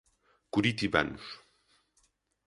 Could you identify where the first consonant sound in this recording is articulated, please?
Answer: velar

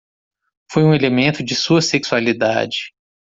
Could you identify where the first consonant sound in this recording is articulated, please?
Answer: labial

